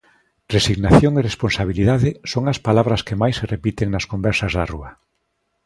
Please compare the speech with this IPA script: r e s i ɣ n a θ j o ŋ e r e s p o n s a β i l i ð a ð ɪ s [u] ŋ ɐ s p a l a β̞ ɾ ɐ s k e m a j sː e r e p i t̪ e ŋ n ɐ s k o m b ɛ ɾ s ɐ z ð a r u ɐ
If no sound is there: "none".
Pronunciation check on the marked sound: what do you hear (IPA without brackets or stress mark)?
o